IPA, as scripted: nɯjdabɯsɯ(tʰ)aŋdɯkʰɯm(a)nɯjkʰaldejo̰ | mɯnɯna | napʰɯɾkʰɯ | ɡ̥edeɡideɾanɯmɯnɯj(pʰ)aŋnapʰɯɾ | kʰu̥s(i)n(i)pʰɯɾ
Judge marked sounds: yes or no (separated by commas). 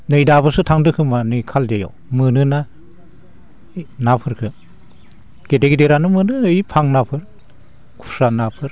yes, yes, yes, no, no